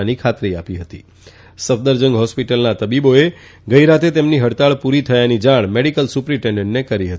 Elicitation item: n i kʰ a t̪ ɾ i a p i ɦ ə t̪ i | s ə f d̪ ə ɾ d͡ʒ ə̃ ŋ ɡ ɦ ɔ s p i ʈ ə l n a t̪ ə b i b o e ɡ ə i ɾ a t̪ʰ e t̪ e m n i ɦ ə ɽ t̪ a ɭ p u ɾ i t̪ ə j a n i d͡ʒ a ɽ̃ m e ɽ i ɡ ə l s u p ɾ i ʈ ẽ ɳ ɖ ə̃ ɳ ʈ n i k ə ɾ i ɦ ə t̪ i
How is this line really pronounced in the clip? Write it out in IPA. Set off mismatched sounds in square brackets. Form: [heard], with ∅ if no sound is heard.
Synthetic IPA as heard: n i kʰ a t̪ ɾ i a p i ɦ ə t̪ i | s ə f d̪ ə ɾ d͡ʒ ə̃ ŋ ɡ ɦ ɔ s p i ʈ ə l n a t̪ ə b i b o e ɡ ə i ɾ a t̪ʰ e t̪ e m n i ɦ ə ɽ t̪ a ɭ p u ɾ i [t̪ʰ] ə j a n i d͡ʒ a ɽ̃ m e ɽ i [k] ə l s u p ɾ i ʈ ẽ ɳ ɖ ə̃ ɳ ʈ n [e] k ə ɾ i ɦ ə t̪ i

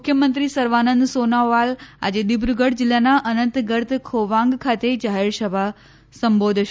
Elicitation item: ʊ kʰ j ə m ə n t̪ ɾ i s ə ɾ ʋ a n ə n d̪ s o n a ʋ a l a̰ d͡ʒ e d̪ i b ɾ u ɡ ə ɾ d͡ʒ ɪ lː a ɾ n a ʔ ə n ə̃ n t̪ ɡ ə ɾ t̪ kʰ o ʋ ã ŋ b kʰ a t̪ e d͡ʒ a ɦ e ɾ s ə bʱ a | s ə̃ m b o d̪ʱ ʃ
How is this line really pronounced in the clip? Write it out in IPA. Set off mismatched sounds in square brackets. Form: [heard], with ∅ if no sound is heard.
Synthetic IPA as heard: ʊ kʰ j ə m ə n t̪ ɾ i s ə ɾ ʋ a n ə n d̪ s o n a ʋ a l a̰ d͡ʒ e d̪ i b ɾ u ɡ ə [ɽ] d͡ʒ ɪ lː a [∅] n a ʔ ə n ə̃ n t̪ ɡ ə ɾ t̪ kʰ o ʋ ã ŋ [ɡ] kʰ a t̪ e d͡ʒ a ɦ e ɾ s ə bʱ a | s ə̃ m b o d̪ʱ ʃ

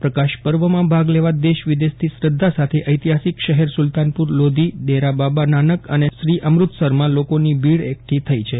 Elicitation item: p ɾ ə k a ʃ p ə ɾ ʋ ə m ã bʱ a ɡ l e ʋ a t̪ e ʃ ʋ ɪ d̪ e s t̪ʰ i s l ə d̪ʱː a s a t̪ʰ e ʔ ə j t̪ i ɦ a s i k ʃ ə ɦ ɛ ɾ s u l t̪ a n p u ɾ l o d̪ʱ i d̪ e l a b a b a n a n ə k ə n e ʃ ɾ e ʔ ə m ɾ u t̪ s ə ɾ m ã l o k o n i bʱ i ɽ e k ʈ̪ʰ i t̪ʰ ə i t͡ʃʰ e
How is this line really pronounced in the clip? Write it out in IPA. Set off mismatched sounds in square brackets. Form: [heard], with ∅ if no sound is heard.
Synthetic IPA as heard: p ɾ ə k a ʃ p ə ɾ ʋ ə m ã bʱ a ɡ l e ʋ a [d̪] e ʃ ʋ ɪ d̪ e s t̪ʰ i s [ɾ] ə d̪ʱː a s a t̪ʰ e ʔ ə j t̪ i ɦ a s i k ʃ ə ɦ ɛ ɾ s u l t̪ a n p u ɾ l o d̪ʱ i d̪ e [ɾ] a b a b a n a n ə k ə n e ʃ ɾ [i] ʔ ə m ɾ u t̪ s ə ɾ m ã l o k o n i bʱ i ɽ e k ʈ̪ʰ i t̪ʰ ə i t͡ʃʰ e

